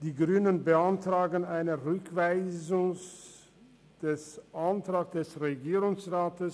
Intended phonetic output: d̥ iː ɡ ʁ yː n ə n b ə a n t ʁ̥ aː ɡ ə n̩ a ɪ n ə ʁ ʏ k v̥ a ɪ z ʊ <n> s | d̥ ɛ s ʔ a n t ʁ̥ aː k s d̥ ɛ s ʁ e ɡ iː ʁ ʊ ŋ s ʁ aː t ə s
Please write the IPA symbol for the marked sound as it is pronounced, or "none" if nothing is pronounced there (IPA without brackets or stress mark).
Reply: ŋ